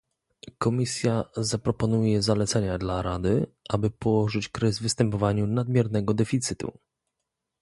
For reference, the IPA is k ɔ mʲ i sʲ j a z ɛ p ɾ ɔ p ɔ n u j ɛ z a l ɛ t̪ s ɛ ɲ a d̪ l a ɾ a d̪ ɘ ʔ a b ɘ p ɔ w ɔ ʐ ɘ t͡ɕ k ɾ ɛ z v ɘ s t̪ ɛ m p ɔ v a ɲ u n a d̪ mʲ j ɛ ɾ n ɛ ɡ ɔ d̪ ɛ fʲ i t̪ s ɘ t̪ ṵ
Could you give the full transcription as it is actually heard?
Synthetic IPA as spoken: k ɔ mʲ i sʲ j a z a p ɾ ɔ p ɔ n u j ɛ z a l ɛ t̪ s ɛ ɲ a d̪ l a ɾ a d̪ ɘ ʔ a b ɘ p ɔ w ɔ ʐ ɘ t͡ɕ k ɾ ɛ z v ɘ s t̪ ɛ m p ɔ v a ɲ u n a d̪ mʲ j ɛ ɾ n ɛ ɡ ɔ d̪ ɛ fʲ i t̪ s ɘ t̪ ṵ